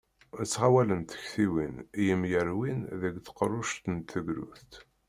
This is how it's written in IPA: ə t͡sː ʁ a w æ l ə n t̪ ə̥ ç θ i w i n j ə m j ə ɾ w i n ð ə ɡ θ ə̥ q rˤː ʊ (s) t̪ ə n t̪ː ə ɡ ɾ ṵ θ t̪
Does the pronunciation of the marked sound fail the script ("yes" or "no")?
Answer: yes